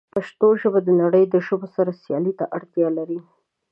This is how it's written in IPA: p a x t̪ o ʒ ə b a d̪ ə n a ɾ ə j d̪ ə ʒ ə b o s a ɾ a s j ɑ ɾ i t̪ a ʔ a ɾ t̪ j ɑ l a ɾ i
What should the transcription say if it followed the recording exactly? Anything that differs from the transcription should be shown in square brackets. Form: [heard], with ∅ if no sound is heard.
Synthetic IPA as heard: p a [ʃ] t̪ o ʒ ə b a d̪ ə n a [ɽ] ə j d̪ ə ʒ ə b o s a ɾ a s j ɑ [l] i t̪ a ʔ a [ɽ] t̪ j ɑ l a ɾ i

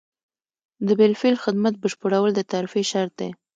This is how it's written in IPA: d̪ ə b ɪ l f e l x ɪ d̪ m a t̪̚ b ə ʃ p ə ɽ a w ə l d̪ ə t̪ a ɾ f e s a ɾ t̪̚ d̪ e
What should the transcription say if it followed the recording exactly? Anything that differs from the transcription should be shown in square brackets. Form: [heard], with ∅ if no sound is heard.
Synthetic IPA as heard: d̪ ə b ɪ l f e l x ɪ d̪ m a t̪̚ b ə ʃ p ə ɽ a w ə l d̪ ə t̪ a ɾ f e [ʃ] a ɾ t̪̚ d̪ e

